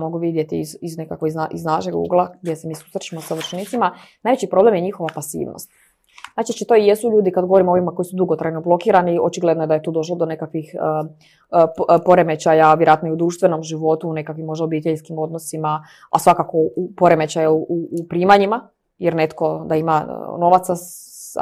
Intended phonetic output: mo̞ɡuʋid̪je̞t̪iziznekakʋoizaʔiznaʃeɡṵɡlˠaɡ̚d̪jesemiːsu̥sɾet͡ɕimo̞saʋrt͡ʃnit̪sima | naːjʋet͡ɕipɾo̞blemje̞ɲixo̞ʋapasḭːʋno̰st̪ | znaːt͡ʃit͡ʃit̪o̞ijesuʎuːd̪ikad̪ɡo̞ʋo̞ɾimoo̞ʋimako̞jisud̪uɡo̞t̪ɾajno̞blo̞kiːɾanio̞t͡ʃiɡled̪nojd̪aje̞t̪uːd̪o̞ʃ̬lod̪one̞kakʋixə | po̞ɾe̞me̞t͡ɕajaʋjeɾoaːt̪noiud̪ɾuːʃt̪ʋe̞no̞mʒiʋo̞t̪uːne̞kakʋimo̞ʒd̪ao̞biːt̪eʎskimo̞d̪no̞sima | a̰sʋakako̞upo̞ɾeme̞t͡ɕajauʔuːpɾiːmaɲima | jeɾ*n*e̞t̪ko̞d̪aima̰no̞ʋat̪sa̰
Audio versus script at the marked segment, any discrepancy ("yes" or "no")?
no